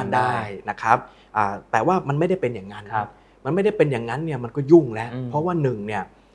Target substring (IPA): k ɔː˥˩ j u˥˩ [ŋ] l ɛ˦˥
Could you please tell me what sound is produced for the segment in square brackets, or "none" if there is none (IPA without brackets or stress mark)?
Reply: ŋ